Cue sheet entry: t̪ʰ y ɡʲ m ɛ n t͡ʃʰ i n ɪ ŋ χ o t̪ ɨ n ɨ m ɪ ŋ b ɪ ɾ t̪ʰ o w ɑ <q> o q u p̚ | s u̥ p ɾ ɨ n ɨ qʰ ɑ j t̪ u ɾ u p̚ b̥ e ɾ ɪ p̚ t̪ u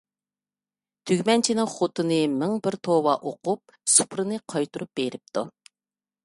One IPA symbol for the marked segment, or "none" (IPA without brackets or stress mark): ʔ